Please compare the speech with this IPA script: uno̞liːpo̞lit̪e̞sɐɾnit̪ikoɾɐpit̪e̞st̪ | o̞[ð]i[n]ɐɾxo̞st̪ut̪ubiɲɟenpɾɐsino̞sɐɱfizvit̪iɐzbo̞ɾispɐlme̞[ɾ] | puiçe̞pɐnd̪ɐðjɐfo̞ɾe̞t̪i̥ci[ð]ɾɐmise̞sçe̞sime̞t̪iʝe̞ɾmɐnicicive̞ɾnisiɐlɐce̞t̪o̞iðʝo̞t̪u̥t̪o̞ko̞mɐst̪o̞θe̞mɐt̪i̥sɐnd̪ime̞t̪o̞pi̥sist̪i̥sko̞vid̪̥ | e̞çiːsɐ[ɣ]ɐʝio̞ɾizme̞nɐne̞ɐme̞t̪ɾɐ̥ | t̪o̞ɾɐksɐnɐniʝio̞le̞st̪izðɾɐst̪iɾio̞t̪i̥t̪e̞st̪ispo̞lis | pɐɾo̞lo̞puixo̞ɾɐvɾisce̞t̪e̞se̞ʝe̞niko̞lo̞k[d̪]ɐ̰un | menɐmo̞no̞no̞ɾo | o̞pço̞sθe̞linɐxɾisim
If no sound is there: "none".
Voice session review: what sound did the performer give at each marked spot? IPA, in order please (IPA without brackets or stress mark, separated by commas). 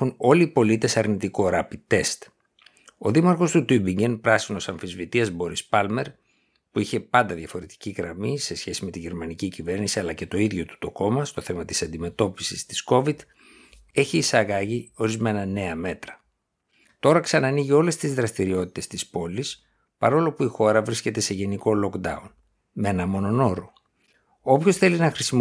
ð, m, ɾ, ɣ, ɣ, d̪